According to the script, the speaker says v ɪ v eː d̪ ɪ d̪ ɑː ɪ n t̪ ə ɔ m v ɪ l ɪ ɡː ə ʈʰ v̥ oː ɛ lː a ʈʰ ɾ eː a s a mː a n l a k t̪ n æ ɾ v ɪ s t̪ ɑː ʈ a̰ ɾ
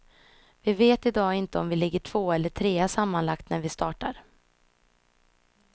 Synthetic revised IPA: v ɪ v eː t̪ ɪ d̪ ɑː ɪ n t̪ ə ɔ m v ɪ l ɪ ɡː ə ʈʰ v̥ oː ɛ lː ə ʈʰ ɾ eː a s a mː a n l a k t̪ n æ ɾ v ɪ s t̪ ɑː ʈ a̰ ɾ